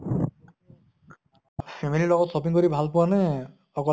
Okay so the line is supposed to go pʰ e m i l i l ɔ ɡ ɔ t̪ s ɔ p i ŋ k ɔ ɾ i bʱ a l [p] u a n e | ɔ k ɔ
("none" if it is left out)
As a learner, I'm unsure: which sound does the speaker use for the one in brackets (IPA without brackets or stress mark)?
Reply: p